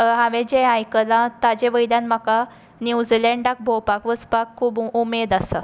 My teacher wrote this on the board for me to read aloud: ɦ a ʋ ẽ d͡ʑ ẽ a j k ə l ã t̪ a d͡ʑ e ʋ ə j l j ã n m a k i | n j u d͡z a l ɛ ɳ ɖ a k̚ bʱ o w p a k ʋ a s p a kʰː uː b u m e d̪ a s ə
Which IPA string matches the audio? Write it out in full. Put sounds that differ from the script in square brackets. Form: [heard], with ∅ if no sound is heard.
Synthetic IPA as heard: ɦ a ʋ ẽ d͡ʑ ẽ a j k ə l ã t̪ a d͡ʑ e ʋ ə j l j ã n m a k [a] | n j u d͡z [i] l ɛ ɳ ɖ a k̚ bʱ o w p a k ʋ [ə] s p a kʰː uː b u m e d̪ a s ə